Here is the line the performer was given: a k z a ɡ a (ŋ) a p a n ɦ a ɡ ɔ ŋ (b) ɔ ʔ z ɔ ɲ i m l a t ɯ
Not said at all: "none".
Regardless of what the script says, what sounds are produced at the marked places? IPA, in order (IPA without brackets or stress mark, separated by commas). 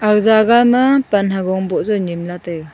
m, b